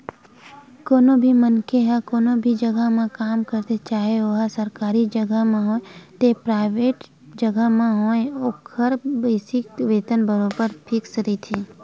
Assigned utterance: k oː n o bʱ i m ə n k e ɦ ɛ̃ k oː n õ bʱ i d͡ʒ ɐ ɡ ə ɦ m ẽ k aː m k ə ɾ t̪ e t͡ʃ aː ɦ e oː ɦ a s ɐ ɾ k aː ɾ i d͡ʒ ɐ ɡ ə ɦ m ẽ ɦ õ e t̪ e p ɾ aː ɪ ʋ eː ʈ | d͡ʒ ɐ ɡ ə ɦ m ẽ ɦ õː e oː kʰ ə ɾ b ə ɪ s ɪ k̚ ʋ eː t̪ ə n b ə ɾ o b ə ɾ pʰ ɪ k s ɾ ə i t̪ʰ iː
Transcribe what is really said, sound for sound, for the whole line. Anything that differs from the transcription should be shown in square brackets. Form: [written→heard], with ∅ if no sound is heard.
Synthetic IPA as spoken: k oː n o bʱ i m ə n k e ɦ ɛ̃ k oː n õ bʱ i d͡ʒ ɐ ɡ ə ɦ m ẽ k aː m k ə ɾ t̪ e t͡ʃ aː ɦ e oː ɦ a s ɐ ɾ k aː ɾ i d͡ʒ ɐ ɡ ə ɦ m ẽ ɦ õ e t̪ e p ɾ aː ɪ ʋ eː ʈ | d͡ʒ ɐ ɡ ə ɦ m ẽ ɦ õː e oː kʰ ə ɾ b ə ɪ s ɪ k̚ ʋ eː t̪ ə n b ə ɾ o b ə ɾ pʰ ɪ k s ɾ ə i t̪ʰ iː